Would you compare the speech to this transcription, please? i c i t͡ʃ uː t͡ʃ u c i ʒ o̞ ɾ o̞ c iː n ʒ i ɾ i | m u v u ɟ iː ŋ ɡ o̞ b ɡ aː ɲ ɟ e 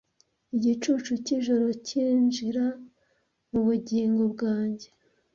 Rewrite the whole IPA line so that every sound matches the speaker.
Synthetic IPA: i ɟ i t͡ʃ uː t͡ʃ u c i ʒ o̞ ɾ o̞ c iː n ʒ i ɾ a | m u β u ɟ iː ŋ ɡ o̞ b ɡ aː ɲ ɟ e